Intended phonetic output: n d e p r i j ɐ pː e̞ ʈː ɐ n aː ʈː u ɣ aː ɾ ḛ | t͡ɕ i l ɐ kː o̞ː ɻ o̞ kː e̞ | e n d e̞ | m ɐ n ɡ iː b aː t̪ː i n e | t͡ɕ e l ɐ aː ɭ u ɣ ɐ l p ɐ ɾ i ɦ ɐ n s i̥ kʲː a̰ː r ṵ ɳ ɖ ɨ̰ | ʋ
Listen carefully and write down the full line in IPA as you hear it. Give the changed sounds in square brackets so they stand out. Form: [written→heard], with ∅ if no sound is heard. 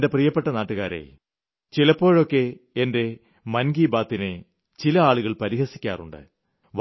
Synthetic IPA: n d e p r i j ɐ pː e̞ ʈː ɐ n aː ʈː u ɣ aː ɾ ḛ | t͡ɕ i l ɐ [kː→pː] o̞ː ɻ o̞ kː e̞ | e n d e̞ | m ɐ n ɡ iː b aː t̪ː i n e | t͡ɕ [e→i] l ɐ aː ɭ u ɣ ɐ [l→ɭ] p ɐ ɾ i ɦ ɐ [n→∅] s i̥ kʲː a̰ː r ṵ ɳ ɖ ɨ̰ | ʋ